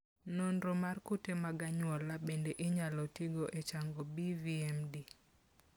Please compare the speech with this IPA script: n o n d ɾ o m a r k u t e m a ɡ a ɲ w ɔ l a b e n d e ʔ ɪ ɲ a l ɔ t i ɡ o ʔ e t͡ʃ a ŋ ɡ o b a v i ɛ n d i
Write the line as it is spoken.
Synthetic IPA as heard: n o n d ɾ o m a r k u t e m a ɡ a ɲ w ɔ l a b e n d e ʔ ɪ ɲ a l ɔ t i ɡ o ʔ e t͡ʃ a ŋ ɡ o b i v i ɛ m d i